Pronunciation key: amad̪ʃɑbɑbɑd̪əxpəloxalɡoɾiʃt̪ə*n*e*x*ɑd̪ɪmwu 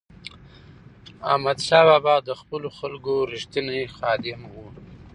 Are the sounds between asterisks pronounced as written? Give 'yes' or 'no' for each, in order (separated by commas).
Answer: yes, yes